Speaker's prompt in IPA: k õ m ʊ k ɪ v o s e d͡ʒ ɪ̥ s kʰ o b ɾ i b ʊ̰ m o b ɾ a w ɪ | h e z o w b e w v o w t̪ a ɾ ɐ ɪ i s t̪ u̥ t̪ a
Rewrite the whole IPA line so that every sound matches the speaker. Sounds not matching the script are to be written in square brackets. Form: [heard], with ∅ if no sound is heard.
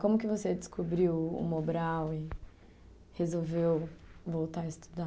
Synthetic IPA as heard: k õ m ʊ k ɪ v o s e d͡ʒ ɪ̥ s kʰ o b ɾ i [w] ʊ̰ m o b ɾ a w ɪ | h e z o w [v] e w v o w t̪ a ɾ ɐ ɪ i s t̪ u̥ [d̪] a